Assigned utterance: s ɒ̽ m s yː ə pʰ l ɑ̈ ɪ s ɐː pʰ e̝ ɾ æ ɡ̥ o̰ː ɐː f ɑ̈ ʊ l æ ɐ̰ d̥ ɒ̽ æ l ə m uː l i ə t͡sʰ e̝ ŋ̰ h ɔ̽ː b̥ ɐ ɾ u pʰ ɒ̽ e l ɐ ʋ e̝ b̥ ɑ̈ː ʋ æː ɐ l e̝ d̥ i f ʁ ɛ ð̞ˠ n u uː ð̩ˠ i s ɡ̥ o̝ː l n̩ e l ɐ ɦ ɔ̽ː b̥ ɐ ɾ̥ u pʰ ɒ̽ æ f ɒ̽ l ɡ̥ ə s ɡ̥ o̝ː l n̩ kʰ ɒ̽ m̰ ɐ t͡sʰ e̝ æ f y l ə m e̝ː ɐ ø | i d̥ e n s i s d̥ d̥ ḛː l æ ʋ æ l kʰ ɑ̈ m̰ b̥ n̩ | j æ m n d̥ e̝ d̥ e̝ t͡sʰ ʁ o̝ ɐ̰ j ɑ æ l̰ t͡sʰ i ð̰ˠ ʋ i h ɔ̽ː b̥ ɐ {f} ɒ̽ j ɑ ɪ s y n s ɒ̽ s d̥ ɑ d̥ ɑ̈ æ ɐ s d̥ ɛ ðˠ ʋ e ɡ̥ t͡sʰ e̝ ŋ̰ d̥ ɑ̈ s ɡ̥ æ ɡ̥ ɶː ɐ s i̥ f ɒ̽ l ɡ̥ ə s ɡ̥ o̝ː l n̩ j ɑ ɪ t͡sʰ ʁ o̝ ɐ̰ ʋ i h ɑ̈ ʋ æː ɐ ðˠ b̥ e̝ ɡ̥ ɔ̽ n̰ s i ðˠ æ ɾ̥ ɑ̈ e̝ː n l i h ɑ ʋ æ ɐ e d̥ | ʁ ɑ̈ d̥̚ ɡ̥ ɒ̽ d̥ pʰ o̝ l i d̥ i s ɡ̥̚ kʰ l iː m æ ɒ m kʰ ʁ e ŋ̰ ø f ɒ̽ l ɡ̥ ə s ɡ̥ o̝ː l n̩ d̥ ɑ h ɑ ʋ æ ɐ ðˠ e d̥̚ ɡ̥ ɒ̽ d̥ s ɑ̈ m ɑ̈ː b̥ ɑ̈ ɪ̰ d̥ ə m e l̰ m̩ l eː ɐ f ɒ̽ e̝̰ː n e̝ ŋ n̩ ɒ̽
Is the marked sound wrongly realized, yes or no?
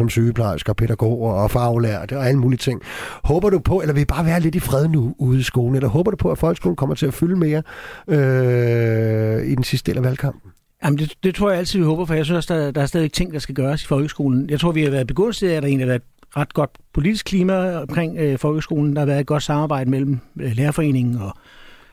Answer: no